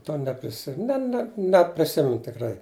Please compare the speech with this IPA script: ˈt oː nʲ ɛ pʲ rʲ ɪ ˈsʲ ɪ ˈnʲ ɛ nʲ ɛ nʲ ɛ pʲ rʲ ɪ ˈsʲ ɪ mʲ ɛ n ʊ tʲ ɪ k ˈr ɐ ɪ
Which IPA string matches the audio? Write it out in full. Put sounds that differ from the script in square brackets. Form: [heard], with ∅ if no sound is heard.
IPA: ˈt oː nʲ ɛ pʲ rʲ ɪ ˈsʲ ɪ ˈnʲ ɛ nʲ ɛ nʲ ɛ pʲ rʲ ɪ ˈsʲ ɪ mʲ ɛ n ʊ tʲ ɪ k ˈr ɐ ɪ